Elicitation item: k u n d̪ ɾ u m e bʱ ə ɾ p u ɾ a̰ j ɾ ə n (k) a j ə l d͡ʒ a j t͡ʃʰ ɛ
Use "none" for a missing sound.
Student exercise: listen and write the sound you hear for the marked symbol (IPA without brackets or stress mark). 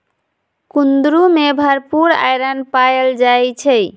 p